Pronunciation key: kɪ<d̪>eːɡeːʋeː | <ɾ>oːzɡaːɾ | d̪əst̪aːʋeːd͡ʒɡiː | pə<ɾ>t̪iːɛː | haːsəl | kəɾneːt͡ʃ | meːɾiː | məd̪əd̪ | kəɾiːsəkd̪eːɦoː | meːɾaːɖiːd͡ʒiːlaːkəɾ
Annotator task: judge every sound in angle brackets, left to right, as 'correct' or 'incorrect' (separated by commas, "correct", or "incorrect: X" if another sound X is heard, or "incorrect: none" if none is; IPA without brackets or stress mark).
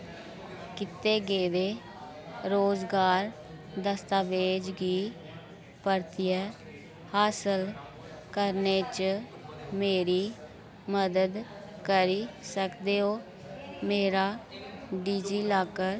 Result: incorrect: t̪, correct, correct